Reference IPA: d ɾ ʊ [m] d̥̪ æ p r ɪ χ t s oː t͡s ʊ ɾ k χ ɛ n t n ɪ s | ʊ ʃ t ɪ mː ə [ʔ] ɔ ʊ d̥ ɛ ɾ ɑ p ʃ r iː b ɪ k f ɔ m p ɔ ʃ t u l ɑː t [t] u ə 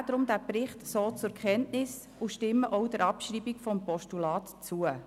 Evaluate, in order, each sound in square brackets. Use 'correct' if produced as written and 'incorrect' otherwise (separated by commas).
correct, correct, incorrect